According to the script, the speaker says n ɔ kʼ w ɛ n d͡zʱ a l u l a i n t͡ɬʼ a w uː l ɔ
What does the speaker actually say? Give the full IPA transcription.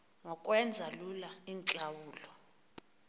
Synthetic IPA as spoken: ŋ ɔ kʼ w ɛ n d͡zʱ a l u l a i n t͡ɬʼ a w uː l ɔ